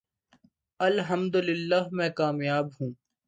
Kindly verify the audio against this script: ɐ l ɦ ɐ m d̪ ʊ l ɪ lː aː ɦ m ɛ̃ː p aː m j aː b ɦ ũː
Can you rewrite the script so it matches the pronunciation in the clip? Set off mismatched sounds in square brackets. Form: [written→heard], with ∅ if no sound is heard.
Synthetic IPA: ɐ l ɦ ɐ m d̪ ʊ l ɪ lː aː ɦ m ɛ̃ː [p→k] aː m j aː b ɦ ũː